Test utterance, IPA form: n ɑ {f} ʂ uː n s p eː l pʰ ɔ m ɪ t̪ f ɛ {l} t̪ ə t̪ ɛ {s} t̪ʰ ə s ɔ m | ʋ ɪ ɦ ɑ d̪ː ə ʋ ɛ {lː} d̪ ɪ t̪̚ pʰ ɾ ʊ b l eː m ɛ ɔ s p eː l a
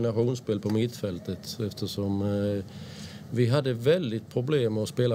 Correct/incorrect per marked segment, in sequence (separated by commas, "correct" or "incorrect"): incorrect, correct, incorrect, incorrect